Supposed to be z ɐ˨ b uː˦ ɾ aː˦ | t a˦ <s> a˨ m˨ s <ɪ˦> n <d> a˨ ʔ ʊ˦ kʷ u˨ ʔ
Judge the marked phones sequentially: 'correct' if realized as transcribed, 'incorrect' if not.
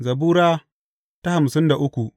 incorrect: h, correct, correct

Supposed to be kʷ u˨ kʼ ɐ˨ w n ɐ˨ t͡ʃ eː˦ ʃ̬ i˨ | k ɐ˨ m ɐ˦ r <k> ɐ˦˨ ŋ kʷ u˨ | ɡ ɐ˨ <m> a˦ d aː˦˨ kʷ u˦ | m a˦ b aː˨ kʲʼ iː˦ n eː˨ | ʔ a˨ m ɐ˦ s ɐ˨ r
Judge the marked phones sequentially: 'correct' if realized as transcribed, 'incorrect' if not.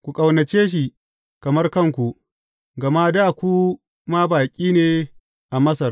correct, correct

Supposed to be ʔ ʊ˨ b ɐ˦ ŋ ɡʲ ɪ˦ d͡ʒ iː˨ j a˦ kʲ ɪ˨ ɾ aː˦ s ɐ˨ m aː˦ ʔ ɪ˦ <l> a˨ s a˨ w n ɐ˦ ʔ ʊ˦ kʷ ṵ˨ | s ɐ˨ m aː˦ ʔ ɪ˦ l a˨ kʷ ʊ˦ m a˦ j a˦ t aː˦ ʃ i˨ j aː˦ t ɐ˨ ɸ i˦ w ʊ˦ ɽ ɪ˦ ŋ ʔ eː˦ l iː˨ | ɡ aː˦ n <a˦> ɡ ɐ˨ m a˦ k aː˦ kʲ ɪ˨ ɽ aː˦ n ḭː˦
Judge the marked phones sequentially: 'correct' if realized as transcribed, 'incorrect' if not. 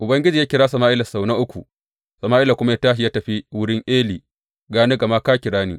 correct, incorrect: e˦

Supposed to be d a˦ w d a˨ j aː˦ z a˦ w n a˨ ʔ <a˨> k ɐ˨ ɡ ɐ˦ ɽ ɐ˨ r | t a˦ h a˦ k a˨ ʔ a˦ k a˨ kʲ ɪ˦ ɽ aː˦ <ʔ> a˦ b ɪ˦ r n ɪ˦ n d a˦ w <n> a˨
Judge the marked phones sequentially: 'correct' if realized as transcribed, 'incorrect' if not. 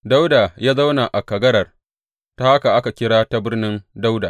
correct, incorrect: t, incorrect: d

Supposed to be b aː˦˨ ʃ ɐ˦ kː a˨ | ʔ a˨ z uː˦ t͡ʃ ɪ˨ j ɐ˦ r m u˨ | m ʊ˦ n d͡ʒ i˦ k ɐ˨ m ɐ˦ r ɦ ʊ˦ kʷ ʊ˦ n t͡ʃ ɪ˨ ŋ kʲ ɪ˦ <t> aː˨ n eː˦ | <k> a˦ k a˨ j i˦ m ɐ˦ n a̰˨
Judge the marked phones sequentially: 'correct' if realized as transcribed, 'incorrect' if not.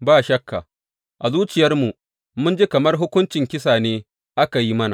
incorrect: s, incorrect: ʔ

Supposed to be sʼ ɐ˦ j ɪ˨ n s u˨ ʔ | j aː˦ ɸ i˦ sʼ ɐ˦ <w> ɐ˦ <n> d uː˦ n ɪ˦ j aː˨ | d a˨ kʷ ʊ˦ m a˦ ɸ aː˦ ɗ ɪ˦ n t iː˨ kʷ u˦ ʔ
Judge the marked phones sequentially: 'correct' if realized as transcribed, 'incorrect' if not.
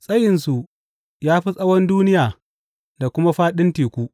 correct, correct

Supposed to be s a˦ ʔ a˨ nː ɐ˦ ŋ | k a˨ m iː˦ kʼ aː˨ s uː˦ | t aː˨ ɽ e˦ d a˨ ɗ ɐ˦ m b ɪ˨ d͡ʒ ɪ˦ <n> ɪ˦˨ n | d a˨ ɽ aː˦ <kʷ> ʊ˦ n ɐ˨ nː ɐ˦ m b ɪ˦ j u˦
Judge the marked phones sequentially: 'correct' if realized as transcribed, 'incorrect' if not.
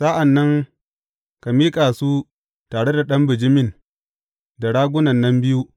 incorrect: m, incorrect: ɡʷ

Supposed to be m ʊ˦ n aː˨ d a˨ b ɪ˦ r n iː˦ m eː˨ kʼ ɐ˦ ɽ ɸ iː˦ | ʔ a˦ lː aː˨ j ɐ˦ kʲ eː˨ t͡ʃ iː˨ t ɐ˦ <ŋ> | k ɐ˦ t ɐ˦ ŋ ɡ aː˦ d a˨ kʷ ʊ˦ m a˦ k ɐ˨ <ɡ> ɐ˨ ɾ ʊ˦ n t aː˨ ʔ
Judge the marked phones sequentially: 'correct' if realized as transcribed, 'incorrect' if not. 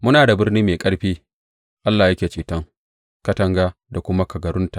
correct, correct

